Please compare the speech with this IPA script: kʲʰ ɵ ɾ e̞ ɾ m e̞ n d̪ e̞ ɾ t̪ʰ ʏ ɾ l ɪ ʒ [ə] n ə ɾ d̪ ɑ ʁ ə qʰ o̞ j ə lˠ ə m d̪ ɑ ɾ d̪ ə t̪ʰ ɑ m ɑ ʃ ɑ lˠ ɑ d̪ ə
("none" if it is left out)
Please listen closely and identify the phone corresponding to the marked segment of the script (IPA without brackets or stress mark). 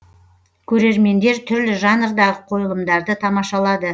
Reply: ɑ